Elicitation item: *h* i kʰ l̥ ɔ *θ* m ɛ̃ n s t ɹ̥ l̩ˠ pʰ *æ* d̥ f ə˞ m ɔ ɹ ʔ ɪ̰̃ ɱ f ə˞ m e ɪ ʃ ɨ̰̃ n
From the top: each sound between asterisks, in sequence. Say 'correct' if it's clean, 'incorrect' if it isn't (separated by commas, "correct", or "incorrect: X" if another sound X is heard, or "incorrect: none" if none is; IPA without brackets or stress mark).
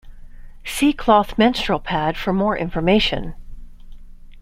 incorrect: s, correct, correct